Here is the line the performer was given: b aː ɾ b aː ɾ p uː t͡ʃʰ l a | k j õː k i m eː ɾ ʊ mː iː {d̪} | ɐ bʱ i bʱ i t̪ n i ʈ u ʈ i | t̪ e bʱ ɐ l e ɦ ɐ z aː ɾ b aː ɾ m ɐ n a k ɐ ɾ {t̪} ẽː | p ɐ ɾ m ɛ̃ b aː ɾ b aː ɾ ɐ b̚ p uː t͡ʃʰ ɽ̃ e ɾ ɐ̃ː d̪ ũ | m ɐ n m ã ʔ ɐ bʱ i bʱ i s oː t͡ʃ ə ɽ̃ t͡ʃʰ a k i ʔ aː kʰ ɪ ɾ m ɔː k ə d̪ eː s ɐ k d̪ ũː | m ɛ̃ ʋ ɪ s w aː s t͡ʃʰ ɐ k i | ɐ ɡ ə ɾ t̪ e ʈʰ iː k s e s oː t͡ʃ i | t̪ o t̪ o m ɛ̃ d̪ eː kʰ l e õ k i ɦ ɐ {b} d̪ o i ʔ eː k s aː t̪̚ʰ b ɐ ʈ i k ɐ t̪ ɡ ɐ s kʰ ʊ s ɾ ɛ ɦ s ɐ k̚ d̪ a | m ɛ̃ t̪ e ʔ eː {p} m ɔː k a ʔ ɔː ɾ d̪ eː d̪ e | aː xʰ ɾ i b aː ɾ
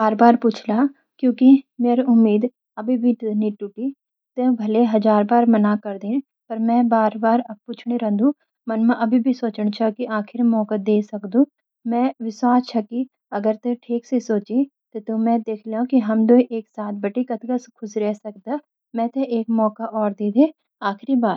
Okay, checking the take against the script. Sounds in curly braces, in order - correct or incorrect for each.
correct, incorrect, incorrect, incorrect

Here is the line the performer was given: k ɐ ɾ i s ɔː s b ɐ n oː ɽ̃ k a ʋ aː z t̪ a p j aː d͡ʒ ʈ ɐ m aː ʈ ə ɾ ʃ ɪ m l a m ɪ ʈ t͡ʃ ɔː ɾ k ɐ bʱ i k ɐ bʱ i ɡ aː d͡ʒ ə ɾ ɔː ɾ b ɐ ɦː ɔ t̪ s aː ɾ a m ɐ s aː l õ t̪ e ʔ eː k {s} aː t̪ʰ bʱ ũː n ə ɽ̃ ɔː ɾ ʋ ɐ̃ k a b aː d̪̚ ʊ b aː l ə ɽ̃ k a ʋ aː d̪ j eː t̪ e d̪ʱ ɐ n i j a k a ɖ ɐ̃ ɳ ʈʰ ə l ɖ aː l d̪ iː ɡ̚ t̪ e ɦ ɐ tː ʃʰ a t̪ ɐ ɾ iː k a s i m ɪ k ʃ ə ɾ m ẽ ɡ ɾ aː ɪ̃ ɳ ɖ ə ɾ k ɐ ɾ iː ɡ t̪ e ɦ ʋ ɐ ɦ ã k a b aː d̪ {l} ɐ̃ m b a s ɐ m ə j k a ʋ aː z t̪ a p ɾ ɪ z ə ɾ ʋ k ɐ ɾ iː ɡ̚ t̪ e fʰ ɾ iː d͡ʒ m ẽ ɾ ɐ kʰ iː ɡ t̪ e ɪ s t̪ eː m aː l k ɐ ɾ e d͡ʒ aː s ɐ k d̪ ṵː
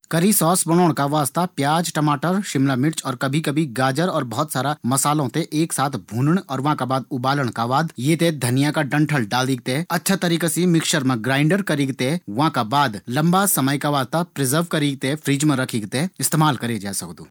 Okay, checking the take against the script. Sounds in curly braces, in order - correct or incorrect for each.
correct, correct

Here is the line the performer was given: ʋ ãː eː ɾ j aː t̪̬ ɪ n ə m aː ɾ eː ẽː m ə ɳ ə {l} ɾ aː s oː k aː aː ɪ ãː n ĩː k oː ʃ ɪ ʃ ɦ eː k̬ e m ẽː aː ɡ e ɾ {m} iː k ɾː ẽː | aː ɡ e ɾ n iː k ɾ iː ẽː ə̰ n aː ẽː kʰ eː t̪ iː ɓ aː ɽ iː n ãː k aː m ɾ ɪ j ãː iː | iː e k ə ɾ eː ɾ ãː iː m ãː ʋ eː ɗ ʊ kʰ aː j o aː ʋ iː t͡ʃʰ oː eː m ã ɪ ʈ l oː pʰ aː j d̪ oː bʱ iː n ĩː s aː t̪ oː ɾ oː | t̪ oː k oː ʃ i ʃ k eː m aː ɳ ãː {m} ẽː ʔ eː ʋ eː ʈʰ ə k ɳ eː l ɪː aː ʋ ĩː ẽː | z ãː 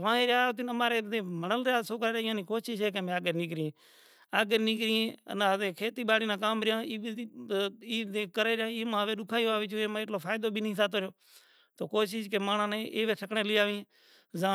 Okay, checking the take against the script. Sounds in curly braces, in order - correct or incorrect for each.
correct, incorrect, incorrect

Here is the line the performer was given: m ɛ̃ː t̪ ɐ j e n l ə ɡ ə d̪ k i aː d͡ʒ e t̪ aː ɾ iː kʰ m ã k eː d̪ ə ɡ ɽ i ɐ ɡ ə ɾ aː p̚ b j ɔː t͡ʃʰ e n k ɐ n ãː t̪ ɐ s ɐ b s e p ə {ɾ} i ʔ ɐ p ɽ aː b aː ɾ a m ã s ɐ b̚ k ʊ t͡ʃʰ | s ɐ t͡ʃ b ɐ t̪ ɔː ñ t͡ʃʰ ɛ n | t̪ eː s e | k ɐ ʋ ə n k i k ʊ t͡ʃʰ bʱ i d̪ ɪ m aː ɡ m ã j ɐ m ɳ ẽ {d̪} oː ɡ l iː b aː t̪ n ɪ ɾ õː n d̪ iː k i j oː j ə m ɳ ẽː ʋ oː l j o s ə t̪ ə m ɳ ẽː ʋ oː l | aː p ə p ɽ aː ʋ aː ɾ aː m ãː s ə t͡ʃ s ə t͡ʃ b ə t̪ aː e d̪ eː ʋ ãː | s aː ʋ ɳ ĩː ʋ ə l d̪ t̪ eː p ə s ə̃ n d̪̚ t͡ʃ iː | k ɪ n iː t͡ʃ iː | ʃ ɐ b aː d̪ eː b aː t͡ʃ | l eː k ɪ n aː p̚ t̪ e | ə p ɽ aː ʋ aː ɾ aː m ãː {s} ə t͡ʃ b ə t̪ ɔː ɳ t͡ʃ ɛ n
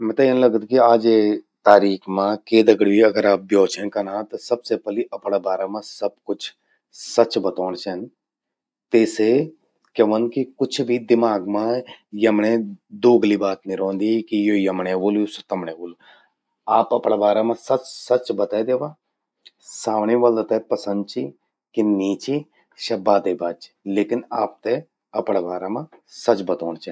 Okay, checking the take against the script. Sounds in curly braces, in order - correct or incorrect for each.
incorrect, correct, correct

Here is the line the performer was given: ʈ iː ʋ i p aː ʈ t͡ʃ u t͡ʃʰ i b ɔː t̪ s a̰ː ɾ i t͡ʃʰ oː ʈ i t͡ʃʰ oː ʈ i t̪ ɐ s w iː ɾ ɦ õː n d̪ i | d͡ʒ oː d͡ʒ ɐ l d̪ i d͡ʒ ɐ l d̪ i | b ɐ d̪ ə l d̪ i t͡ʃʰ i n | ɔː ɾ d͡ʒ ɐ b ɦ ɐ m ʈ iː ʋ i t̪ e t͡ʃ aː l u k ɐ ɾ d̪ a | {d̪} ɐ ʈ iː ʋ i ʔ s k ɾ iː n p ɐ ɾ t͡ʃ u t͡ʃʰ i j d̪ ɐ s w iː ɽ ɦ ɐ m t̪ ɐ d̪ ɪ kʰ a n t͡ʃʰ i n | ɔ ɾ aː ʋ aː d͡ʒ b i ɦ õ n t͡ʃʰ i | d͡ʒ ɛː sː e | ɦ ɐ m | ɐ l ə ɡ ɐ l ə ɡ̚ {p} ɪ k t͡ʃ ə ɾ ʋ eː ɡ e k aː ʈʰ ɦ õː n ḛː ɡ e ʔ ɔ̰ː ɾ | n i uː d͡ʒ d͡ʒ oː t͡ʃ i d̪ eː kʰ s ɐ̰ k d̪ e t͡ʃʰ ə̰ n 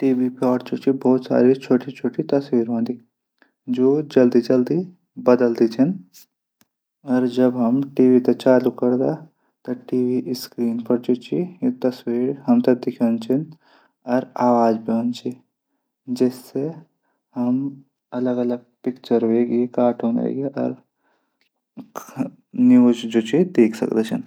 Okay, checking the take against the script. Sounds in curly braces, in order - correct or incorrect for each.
incorrect, correct

